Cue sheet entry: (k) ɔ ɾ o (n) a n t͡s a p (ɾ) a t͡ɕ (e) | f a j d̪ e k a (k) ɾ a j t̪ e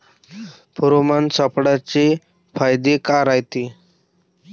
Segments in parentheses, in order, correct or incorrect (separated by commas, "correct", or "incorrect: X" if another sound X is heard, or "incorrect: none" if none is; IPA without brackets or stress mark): incorrect: p, incorrect: m, incorrect: ɽ, correct, incorrect: none